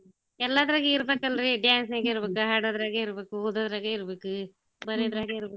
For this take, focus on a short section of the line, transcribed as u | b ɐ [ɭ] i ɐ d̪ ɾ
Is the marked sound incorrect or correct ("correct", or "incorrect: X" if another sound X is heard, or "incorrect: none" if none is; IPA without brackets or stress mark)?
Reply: incorrect: ɾ